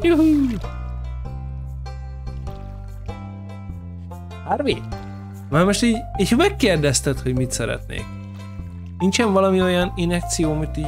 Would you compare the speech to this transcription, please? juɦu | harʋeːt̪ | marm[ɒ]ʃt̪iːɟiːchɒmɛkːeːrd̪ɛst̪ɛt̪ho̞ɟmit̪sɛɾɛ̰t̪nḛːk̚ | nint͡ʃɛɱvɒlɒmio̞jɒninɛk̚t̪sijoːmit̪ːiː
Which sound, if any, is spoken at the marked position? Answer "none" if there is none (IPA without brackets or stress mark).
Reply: o